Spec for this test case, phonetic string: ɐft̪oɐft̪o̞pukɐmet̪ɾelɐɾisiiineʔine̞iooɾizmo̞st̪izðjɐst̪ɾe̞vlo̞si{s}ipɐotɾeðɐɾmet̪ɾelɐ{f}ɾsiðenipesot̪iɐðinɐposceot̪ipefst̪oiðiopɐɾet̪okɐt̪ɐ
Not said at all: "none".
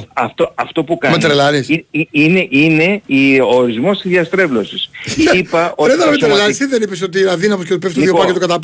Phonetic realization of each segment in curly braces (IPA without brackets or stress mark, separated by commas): s, none